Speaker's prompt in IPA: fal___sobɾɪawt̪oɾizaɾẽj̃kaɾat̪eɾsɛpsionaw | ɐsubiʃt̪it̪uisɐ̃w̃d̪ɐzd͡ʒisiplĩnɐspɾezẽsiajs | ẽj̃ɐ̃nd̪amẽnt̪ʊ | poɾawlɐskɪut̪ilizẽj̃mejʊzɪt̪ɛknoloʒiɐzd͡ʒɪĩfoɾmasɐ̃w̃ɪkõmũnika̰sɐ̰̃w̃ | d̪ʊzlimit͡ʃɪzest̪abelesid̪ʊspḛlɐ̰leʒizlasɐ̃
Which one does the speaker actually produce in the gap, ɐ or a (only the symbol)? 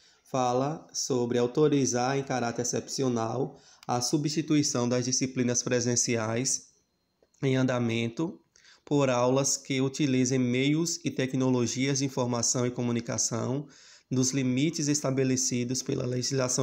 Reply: ɐ